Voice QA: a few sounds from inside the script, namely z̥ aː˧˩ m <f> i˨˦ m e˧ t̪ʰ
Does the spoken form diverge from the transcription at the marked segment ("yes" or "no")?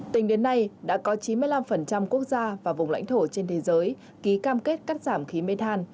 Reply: yes